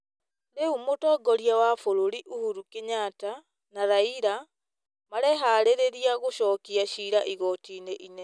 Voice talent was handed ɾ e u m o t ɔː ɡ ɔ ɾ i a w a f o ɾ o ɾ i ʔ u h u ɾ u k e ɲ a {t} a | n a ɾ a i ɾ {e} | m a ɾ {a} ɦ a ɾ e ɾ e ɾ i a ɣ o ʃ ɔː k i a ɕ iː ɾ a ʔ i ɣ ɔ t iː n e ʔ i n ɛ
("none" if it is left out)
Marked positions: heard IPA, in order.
t, a, ɛ

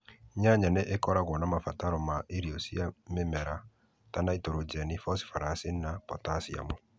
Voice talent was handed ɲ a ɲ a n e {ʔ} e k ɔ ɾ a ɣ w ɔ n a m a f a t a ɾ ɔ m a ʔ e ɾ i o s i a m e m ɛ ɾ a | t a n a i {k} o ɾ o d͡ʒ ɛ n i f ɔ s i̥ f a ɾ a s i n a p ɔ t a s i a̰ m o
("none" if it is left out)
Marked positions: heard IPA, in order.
ʔ, t

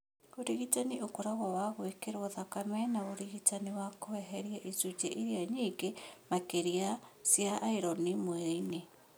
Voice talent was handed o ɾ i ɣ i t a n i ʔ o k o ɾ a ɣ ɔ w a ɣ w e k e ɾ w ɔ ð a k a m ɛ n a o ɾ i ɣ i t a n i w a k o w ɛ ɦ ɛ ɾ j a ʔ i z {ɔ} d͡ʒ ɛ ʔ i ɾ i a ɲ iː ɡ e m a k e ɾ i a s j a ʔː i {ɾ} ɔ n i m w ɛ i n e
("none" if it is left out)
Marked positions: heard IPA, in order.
u, ɾ

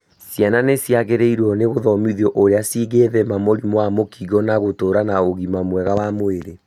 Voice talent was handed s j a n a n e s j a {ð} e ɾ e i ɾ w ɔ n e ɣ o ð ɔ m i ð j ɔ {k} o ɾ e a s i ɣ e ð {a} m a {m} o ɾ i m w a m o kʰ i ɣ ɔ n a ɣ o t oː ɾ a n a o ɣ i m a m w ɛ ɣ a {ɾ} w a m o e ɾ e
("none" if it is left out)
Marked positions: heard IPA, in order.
ɣ, ʔ, ɛ, m, none

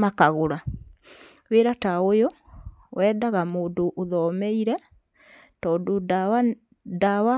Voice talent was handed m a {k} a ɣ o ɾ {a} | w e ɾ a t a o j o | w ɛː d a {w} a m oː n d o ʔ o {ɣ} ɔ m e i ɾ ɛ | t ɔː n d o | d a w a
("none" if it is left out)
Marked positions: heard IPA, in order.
k, a, ɣ, ð

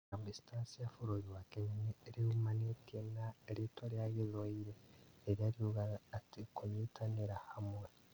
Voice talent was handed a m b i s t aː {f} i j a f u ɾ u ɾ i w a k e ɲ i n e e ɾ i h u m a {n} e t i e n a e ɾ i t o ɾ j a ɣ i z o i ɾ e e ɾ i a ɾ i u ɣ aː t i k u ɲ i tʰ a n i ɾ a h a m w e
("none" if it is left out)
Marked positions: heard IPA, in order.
s, n

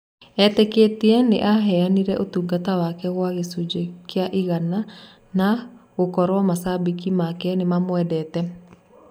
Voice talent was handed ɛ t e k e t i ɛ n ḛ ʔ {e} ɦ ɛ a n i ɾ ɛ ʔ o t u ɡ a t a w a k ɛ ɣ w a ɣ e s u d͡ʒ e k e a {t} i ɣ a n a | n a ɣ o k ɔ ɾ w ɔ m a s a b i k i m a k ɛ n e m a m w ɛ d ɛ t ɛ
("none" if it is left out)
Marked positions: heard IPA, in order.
a, ʔ

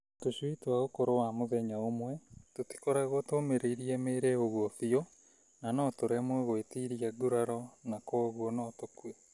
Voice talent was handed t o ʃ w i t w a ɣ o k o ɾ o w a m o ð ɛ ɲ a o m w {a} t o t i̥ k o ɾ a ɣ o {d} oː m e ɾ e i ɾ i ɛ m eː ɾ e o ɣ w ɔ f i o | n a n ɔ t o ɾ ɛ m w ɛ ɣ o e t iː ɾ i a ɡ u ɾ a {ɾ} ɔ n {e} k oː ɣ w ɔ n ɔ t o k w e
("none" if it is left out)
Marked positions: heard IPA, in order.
ɛ, t, ɾ, a

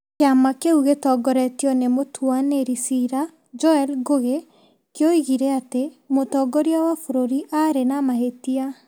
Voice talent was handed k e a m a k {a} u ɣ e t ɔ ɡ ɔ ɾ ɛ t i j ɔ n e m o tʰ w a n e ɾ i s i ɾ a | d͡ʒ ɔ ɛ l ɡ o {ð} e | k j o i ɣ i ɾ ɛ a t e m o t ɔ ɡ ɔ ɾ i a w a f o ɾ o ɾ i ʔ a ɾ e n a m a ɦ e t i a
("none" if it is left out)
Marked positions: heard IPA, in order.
e, ɣ

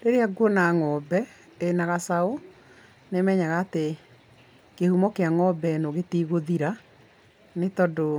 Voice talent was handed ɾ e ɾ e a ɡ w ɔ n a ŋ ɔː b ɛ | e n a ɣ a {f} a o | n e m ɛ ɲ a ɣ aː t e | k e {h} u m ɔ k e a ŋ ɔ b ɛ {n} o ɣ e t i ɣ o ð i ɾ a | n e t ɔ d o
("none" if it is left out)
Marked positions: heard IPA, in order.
s, h, n

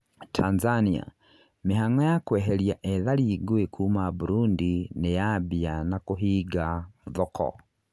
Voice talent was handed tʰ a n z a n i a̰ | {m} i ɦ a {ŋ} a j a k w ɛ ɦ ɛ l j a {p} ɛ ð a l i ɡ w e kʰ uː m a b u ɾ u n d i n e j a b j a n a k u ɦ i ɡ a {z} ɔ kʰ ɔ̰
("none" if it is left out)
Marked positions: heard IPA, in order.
m, ŋ, ʔ, ð

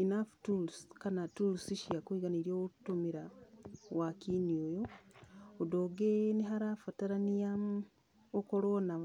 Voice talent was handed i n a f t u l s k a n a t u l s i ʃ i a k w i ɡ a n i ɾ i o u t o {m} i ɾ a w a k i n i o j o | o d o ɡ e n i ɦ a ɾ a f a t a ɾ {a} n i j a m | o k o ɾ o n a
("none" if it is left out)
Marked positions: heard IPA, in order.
m, a

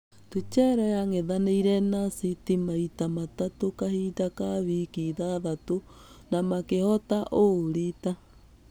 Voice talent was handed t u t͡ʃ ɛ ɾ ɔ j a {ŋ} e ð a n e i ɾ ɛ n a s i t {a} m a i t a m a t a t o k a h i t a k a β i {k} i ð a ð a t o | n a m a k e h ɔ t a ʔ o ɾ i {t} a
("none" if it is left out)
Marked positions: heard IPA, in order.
ŋ, i, k, t

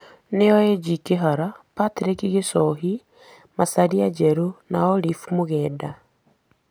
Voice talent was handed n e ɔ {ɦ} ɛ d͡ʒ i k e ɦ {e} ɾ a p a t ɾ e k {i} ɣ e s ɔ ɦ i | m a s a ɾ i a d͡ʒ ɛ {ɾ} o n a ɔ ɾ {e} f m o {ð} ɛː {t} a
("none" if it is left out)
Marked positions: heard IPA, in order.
none, a, i, ɾ, i, ɣ, d

